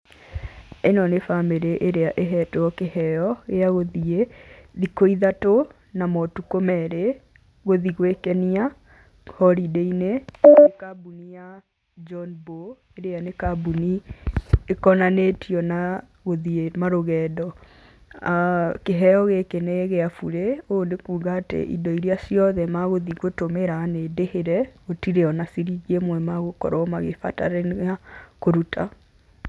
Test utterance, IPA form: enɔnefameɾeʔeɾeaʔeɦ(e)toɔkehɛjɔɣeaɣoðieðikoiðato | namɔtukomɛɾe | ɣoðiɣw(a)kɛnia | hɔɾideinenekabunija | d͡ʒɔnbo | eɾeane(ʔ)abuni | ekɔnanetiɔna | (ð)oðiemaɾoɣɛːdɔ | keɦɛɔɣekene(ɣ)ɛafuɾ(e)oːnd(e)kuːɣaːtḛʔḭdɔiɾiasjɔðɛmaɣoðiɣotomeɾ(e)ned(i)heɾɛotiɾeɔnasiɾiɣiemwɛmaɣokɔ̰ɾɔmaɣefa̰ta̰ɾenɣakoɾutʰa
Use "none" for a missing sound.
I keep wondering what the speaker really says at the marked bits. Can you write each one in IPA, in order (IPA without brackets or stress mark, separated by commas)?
ɛ, e, k, ɣ, ɣ, e, e, a, e